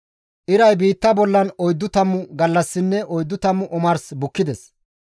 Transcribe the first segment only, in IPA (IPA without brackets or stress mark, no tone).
ʔ